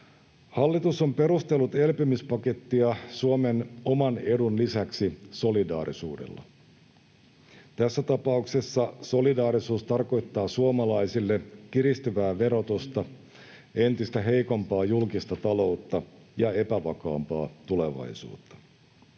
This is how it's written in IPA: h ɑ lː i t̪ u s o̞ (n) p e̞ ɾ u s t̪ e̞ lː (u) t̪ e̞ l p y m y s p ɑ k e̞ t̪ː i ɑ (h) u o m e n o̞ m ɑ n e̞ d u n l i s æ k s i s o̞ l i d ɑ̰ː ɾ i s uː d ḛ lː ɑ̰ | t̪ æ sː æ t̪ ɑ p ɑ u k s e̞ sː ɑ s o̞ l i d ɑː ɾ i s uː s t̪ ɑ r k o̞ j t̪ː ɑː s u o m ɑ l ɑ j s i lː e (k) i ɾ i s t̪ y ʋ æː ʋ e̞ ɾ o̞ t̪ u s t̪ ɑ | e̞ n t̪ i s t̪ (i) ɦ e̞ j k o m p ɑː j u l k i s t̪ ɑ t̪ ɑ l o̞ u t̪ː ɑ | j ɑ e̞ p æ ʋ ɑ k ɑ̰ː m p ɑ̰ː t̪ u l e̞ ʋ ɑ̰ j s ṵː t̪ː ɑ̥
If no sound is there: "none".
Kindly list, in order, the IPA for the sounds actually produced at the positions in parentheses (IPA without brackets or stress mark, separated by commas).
m, u, s, k, æ